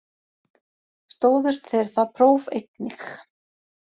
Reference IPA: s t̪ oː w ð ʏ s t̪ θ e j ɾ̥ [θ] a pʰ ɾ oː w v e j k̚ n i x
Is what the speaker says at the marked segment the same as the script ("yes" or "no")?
yes